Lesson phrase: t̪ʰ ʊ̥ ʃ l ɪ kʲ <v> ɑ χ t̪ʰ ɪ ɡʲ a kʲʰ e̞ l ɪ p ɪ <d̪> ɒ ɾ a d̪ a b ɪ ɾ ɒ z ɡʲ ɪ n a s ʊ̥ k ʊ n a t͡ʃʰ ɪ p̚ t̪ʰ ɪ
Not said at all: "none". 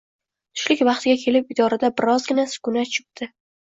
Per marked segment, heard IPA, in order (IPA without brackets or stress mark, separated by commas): v, d̪